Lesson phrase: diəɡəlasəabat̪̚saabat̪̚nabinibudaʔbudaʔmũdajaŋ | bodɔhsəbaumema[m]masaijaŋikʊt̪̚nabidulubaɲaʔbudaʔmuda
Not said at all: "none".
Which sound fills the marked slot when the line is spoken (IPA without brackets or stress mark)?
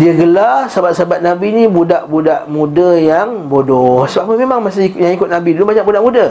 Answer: ŋ